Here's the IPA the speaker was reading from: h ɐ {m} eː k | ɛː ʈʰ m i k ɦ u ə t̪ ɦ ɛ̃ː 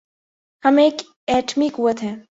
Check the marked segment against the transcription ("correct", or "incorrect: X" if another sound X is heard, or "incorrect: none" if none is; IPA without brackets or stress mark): correct